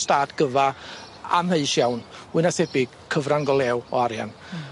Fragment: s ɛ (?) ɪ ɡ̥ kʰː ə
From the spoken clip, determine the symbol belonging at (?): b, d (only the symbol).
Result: b